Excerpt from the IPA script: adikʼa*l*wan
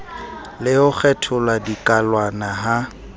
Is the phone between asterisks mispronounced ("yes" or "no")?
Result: no